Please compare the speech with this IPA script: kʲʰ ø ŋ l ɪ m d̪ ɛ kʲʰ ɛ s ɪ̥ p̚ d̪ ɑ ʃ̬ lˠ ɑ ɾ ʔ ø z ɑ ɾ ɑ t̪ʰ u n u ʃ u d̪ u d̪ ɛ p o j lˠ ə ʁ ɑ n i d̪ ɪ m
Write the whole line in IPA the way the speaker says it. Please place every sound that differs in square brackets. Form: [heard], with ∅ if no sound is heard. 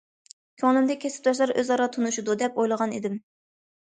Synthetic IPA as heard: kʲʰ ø ŋ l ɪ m d̪ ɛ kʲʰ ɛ s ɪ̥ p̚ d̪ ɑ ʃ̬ lˠ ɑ ɾ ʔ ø z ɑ ɾ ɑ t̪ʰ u n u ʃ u d̪ u d̪ ɛ p o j lˠ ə ʁ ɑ n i d̪ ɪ m